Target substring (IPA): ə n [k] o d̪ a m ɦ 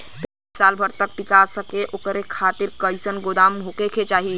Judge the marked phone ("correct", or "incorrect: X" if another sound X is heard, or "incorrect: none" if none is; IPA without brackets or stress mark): incorrect: ɡ